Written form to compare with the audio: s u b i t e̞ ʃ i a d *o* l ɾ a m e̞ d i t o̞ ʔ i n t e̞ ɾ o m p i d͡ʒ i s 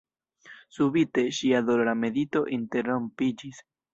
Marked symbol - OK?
yes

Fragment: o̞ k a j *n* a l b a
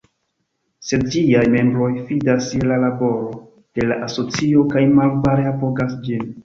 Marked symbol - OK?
no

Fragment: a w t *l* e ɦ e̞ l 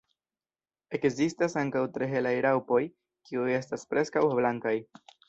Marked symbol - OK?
no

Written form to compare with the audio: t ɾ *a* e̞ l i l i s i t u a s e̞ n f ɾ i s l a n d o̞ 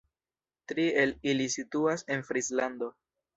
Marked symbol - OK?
no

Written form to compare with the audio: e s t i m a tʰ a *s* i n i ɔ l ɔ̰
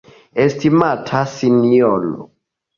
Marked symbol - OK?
yes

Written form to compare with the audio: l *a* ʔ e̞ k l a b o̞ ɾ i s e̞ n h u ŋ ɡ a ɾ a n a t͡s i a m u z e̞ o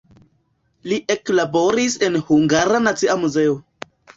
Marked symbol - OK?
no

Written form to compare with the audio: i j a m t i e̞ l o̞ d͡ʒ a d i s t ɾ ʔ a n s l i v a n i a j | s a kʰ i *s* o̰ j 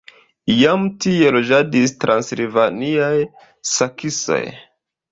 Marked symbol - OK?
yes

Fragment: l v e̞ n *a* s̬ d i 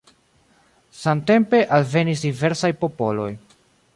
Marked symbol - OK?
no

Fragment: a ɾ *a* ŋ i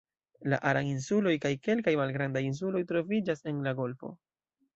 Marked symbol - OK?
yes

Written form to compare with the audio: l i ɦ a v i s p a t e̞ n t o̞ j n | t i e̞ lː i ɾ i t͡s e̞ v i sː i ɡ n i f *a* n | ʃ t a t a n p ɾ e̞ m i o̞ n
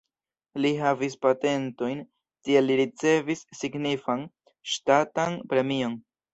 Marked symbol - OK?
yes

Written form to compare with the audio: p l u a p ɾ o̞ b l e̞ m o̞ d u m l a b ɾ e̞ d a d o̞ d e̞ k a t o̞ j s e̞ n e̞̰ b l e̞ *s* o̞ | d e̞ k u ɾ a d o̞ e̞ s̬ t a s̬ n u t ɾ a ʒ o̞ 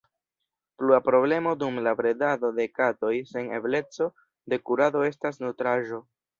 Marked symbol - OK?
no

